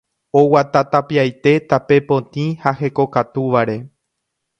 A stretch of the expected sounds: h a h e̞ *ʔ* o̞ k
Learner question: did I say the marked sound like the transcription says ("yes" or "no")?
no